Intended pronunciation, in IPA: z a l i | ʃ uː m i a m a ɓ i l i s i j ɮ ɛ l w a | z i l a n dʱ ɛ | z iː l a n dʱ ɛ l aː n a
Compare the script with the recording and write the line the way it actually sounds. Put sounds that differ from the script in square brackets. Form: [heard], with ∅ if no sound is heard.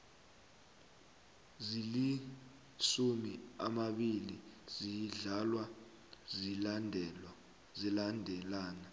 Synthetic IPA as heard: z [i] l i | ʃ [u] m i a m a ɓ i l i [z] i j ɮ [a] l w a | z i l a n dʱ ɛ | z [i] l a n dʱ ɛ l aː n a